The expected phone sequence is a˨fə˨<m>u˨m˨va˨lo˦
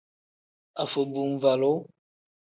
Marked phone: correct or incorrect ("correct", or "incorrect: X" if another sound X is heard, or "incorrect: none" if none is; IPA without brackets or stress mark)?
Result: incorrect: b